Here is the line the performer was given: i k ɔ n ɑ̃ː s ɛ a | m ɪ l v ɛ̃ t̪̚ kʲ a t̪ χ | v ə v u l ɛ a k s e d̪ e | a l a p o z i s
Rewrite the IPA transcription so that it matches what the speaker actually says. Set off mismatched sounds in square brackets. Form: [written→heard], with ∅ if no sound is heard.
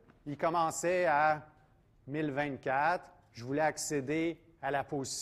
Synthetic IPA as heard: i k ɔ [n→m] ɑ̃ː s ɛ a | m ɪ l v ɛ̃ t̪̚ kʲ a t̪ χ | [v→ʒ] ə v u l ɛ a k s e d̪ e | a l a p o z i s

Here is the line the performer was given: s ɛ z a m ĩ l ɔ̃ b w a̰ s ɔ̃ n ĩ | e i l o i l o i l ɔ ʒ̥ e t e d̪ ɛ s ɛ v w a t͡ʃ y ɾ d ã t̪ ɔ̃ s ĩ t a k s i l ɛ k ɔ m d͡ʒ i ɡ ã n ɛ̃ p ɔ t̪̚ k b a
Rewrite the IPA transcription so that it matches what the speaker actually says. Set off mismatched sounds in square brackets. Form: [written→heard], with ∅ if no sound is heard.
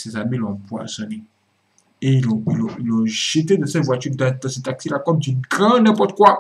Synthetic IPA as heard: s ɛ z a m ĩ l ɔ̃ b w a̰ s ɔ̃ n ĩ | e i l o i l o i l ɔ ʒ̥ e t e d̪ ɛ s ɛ v w a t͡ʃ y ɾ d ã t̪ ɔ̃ s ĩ t a k s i l [ɛ→a] k ɔ m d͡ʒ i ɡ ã n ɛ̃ p ɔ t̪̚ k [b→w] a

